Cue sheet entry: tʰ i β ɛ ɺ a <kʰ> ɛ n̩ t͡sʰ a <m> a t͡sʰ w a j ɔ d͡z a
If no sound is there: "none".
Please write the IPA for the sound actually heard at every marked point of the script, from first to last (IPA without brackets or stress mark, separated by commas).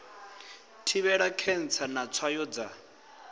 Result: kʰ, n